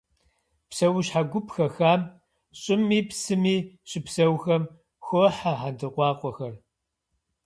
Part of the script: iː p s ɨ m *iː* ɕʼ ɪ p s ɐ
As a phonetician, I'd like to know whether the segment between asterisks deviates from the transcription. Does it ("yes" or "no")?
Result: no